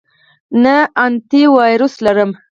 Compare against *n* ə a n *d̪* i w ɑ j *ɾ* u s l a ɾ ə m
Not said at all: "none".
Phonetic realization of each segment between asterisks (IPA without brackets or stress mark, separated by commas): n, t̪, ɾ